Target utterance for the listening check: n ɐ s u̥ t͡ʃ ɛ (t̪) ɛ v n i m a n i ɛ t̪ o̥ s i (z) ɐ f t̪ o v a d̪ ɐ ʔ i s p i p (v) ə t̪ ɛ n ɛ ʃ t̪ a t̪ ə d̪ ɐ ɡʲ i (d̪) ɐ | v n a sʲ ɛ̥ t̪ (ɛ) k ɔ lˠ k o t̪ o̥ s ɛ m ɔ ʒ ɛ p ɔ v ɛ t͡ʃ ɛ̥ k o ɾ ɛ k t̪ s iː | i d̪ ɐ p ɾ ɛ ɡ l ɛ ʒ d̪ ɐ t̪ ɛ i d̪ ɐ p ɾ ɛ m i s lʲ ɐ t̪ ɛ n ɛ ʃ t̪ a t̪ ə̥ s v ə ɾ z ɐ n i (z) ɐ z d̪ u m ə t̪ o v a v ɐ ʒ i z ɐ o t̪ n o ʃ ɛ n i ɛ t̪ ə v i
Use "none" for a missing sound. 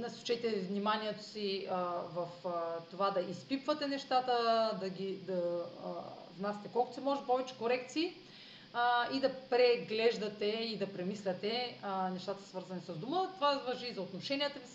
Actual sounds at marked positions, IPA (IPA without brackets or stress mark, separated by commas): t̪, v, v, d̪, ɛ, s